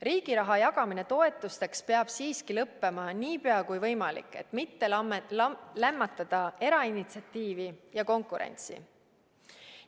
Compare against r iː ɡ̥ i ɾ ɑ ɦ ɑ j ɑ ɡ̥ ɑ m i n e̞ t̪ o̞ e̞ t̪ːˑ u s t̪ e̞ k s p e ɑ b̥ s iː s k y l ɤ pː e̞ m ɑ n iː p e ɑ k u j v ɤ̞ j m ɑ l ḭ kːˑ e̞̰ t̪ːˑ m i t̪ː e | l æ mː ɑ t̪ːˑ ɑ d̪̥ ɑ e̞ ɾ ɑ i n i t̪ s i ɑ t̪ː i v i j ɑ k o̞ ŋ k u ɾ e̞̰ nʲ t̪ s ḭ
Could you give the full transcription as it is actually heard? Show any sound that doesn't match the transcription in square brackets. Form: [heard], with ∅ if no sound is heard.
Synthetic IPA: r iː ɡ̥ i ɾ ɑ ɦ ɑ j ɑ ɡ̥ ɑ m i n e̞ t̪ o̞ e̞ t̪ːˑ u s t̪ e̞ k s p e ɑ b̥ s iː s k [i] l ɤ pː e̞ m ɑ n iː p e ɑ k u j v ɤ̞ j m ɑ l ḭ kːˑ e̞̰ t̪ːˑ m i t̪ː e | l æ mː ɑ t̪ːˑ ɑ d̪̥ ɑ e̞ ɾ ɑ i n i t̪ s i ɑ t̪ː [iː] v i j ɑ k o̞ ŋ k u ɾ e̞̰ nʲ t̪ s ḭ